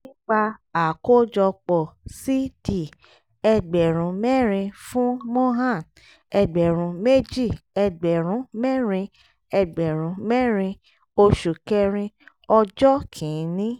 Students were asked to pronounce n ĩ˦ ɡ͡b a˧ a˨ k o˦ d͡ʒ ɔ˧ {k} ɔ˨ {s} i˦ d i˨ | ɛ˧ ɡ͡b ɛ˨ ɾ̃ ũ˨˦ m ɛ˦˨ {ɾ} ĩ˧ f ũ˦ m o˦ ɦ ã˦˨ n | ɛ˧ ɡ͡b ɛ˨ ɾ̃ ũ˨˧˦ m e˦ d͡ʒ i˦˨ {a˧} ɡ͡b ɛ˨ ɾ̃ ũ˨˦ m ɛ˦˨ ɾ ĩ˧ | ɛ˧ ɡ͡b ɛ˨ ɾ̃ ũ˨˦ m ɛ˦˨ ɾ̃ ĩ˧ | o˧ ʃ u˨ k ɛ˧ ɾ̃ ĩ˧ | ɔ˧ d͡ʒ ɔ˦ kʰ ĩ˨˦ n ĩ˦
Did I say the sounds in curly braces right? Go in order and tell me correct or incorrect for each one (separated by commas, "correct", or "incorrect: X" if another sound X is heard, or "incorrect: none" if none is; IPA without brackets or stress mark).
incorrect: k͡p, correct, correct, incorrect: ɛ˧